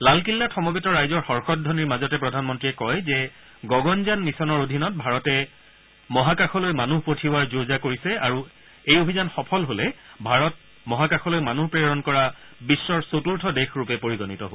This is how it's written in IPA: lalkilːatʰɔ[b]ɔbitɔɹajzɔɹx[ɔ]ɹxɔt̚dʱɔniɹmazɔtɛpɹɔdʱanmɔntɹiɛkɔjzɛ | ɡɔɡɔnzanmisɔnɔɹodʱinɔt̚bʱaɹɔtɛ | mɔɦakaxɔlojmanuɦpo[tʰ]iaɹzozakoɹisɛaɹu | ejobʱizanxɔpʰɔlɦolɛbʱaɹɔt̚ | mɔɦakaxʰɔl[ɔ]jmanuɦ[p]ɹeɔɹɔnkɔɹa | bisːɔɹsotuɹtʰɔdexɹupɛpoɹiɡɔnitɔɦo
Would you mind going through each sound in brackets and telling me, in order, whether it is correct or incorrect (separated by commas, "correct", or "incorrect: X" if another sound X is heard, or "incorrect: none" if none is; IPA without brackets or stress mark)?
incorrect: m, correct, correct, incorrect: o, correct